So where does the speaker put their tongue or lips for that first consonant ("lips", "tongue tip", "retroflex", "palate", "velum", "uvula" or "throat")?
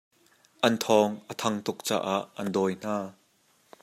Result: throat